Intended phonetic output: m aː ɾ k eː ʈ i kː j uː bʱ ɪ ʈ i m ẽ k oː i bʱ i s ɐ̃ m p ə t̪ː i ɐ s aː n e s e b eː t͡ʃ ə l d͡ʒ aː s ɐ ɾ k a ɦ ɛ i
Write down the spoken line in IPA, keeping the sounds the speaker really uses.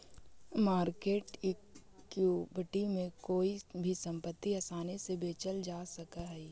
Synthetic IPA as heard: m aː ɾ k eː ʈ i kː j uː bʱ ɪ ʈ i m ẽ k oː i bʱ i s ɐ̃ m p ə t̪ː i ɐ s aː n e s e b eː t͡ʃ ə l d͡ʒ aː s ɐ k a ɦ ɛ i